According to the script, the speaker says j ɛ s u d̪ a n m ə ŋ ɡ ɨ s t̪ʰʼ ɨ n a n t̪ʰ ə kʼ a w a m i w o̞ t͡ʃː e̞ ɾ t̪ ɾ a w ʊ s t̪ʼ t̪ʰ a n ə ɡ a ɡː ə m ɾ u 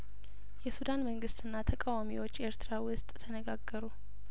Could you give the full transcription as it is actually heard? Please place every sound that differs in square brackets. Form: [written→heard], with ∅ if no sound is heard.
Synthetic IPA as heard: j ɛ s u d̪ a n m ə ŋ ɡ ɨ s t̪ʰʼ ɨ [n→nː] a [n→∅] t̪ʰ ə kʼ a w a m i w o̞ t͡ʃː e̞ ɾ t̪ ɾ a w ʊ s t̪ʼ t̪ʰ [a→ə] n ə ɡ a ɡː ə [m→∅] ɾ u